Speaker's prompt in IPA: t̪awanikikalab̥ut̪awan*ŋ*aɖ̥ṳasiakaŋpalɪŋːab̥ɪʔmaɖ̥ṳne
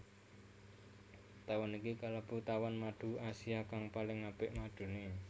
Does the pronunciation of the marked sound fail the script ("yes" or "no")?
yes